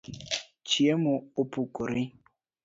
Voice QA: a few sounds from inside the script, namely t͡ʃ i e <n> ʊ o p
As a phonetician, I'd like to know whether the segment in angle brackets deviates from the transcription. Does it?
yes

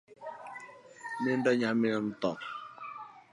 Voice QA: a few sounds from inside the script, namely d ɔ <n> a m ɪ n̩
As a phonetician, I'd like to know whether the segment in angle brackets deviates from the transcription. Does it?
yes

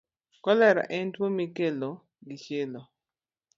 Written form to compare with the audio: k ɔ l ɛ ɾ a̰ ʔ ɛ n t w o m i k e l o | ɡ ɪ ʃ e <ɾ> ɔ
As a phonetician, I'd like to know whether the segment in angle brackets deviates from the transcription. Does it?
yes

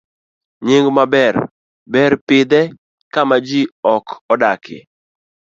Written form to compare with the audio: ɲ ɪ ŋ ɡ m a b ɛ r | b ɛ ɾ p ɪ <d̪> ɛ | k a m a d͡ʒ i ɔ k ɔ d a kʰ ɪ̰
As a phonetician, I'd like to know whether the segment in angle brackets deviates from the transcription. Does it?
no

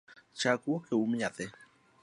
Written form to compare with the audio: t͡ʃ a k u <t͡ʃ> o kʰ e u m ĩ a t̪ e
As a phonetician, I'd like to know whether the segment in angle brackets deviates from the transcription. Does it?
yes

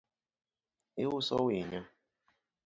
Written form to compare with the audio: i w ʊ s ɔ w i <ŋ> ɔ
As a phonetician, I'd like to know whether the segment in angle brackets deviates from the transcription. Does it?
yes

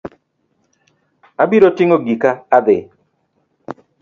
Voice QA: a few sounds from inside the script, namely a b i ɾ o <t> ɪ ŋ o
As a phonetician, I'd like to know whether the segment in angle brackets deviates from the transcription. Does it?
no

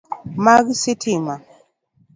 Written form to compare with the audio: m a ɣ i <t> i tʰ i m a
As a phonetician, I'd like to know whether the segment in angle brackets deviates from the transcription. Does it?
yes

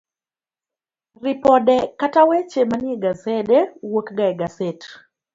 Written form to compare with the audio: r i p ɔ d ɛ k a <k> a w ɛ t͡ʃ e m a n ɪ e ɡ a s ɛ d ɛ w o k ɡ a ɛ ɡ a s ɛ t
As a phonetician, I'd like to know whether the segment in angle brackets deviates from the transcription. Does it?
yes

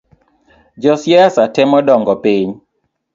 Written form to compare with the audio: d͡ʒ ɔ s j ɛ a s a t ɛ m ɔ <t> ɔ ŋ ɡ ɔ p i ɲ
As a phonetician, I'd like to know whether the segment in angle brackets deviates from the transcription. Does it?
yes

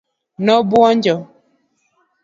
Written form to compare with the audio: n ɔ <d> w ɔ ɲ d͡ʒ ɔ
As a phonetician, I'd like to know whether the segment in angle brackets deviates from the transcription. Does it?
yes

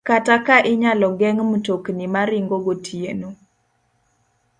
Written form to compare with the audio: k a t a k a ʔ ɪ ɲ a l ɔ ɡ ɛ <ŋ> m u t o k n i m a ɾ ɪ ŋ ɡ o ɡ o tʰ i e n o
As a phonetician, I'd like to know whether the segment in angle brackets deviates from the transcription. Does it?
no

